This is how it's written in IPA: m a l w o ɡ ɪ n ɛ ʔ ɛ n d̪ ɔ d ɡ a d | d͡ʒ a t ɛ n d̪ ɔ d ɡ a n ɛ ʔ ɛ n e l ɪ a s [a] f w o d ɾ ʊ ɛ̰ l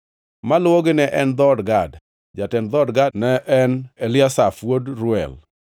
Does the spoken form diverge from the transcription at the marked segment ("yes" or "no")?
no